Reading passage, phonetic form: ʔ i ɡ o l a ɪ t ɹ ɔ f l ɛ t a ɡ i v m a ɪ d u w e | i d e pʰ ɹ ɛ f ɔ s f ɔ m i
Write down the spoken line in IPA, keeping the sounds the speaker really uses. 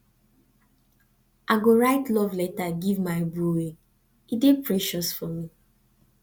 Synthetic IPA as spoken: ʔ a ɡ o ɹ a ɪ t l ɔ v l ɛ t a ɡ i v m a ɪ b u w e | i d e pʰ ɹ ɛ ʃ ɔ s f ɔ m i